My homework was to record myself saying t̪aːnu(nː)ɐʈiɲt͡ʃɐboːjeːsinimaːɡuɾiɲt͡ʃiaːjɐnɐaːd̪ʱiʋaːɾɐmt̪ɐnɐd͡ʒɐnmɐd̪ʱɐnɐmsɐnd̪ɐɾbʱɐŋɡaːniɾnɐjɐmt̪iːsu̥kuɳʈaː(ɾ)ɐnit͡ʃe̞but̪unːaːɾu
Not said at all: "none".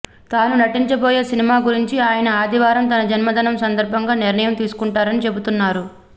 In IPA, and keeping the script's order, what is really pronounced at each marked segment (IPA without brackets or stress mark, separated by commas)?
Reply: n, ɾ